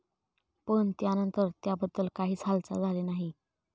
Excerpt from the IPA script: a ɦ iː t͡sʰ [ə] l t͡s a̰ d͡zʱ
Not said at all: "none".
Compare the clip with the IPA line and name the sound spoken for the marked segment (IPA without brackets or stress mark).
a